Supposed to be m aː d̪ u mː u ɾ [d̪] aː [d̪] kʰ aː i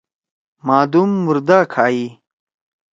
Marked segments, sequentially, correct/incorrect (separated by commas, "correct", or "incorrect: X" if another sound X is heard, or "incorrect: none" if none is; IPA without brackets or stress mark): correct, incorrect: none